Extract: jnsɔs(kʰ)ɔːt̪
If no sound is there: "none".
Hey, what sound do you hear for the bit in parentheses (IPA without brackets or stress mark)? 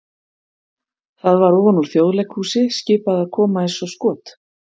k